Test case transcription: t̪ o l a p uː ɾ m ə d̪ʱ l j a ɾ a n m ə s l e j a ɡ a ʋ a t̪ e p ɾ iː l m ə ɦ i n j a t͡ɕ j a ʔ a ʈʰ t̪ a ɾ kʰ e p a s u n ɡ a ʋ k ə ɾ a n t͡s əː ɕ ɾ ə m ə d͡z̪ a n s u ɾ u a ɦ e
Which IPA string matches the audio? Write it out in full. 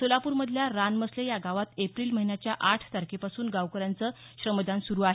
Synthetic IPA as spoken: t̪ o l a p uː ɾ m ə d̪ʱ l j a ɾ a n m ə s l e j a ɡ a ʋ a t̪ e p ɾ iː l m ə ɦ i n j a t͡ɕ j a ʔ a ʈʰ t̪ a ɾ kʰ e p a s uː n ɡ a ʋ k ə ɾ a n t͡s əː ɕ ɾ ə m ə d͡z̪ a n s u ɾ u a ɦ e